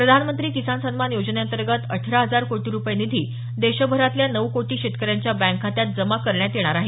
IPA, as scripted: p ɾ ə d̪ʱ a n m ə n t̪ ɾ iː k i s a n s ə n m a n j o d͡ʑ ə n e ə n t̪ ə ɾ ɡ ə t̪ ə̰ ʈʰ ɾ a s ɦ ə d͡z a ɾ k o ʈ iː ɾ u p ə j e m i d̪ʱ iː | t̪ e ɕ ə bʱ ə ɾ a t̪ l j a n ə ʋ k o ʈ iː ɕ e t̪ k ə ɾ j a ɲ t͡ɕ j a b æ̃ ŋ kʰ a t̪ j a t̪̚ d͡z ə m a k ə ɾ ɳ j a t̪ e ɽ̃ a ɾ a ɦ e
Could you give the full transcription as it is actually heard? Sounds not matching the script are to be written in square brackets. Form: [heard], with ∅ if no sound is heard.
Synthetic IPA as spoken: p ɾ ə d̪ʱ a n m ə n t̪ ɾ iː k i s a n s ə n m a n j o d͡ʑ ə n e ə n t̪ ə ɾ ɡ ə t̪ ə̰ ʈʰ ɾ a [∅] ɦ ə d͡z a ɾ k o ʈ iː ɾ u p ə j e [n] i d̪ʱ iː | [d̪] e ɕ ə bʱ ə ɾ a t̪ l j a n ə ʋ k o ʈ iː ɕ e t̪ k ə ɾ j a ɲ t͡ɕ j a b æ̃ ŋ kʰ a t̪ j a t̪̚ d͡z ə m a k ə ɾ ɳ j a t̪ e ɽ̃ a ɾ a ɦ e